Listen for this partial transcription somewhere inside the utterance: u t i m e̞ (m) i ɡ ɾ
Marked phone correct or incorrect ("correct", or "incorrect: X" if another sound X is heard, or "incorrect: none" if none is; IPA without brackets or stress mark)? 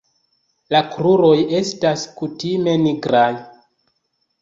incorrect: n